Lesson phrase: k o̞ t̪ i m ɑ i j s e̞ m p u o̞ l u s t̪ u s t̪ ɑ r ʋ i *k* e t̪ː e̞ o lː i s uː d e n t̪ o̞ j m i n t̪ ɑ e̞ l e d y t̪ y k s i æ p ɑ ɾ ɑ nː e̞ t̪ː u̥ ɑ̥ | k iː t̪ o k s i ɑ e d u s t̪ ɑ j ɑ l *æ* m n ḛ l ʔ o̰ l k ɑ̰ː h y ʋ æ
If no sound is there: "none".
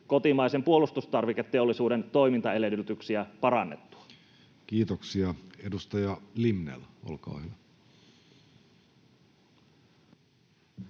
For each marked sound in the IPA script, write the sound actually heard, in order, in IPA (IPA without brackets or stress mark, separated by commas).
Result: k, i